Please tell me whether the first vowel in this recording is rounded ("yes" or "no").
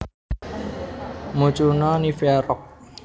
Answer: yes